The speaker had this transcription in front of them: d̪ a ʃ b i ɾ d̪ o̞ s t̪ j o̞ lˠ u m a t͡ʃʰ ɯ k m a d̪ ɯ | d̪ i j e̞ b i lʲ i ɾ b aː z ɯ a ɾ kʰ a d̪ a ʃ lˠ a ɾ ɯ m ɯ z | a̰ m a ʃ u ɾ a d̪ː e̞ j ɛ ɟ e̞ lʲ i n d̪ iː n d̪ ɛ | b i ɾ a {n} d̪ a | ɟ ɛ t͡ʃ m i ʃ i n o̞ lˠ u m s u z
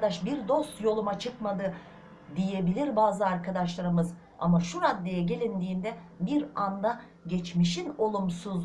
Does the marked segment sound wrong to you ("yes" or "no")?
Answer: no